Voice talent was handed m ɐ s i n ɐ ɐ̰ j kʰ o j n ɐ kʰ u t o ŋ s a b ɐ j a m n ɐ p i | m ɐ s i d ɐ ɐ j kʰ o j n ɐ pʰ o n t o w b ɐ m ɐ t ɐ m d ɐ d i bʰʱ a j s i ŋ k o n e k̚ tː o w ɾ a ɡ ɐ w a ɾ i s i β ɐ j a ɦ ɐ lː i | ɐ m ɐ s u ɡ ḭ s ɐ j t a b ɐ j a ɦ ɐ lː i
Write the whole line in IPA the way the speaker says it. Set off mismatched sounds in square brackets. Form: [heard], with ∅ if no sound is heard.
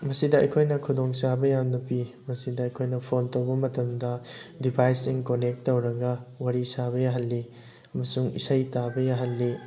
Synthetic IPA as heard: m ɐ s i [d] ɐ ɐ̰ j kʰ o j n ɐ kʰ u [d] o ŋ s a b ɐ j a m n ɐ p i | m ɐ s i d ɐ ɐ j kʰ o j n ɐ pʰ o n t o w b ɐ m ɐ t ɐ m d ɐ d i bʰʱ a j s i ŋ k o n e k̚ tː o w ɾ [ɐ] ɡ ɐ w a ɾ i s [a] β ɐ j a ɦ ɐ lː i | ɐ m ɐ s u [ŋ] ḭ s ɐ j t a b ɐ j a ɦ ɐ lː i